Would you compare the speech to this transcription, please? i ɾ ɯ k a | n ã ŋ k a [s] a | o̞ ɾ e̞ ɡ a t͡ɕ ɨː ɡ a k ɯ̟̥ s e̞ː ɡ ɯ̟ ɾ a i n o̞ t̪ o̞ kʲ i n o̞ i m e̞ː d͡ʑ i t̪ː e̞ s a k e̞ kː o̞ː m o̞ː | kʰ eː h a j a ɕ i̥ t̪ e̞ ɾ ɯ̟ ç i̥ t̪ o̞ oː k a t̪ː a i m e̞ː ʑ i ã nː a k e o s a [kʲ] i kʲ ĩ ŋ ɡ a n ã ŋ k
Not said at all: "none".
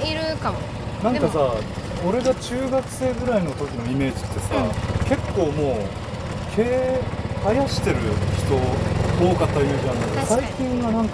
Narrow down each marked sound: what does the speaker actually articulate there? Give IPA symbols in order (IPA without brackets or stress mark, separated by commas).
s, none